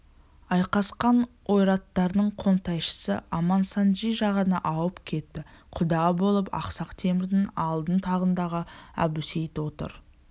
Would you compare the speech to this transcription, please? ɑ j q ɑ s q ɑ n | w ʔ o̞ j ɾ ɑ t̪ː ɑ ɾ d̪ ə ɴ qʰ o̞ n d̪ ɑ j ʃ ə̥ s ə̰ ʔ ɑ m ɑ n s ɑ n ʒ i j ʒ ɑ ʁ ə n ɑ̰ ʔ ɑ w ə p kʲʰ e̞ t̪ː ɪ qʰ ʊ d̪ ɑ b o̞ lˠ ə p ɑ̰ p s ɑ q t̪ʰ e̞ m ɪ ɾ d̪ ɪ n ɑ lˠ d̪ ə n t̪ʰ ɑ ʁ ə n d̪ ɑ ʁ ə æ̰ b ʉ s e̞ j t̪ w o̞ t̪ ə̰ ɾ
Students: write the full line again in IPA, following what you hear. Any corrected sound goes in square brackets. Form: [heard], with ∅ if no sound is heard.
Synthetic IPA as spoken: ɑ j q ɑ s q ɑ n | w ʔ o̞ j ɾ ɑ t̪ː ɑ ɾ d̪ ə ɴ qʰ o̞ n [t̪] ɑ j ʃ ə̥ s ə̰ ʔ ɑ m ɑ n s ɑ n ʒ i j ʒ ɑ ʁ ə n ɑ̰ ʔ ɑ w ə p kʲʰ e̞ t̪ː ɪ qʰ ʊ d̪ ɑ b o̞ lˠ ə p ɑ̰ [q] s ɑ q t̪ʰ e̞ m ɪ ɾ d̪ ɪ n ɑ lˠ d̪ ə n t̪ʰ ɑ ʁ ə n d̪ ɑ ʁ ə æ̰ b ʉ s e̞ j t̪ w o̞ t̪ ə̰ ɾ